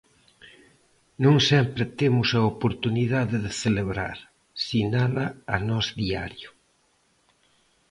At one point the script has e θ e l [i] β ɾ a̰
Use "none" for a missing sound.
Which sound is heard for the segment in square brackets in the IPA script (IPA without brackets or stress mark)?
e